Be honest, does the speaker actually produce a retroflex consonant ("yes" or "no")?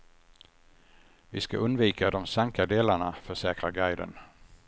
yes